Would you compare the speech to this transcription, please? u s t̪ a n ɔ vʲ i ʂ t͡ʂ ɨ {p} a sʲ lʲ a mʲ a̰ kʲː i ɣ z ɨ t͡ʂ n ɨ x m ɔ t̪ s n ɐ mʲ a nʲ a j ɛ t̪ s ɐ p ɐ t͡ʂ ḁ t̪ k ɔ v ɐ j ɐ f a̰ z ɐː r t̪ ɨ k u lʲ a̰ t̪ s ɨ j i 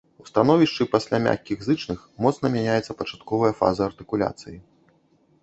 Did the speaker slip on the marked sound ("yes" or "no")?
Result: no